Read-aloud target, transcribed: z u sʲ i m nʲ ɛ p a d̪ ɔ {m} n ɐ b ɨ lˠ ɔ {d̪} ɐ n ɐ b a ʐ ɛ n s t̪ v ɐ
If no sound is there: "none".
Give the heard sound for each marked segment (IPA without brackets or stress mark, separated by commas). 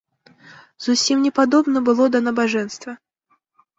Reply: b, d̪